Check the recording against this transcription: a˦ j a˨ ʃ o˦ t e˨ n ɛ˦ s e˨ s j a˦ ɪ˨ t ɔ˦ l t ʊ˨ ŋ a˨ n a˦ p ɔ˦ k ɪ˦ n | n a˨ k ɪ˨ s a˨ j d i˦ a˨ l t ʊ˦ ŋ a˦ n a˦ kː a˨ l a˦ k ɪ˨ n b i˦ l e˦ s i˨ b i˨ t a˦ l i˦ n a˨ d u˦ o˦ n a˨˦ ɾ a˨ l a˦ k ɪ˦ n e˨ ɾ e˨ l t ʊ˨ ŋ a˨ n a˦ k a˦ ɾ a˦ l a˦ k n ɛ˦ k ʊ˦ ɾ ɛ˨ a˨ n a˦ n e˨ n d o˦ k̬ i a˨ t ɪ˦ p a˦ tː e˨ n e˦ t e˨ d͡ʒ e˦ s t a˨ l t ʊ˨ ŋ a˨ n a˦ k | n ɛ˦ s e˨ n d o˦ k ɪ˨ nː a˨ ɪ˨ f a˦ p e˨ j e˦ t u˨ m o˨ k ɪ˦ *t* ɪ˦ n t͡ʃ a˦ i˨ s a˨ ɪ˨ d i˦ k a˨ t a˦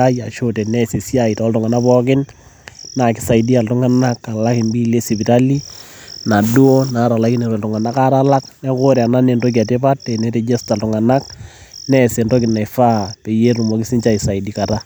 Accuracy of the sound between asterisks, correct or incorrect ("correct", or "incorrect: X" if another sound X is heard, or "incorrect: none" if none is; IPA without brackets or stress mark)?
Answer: incorrect: s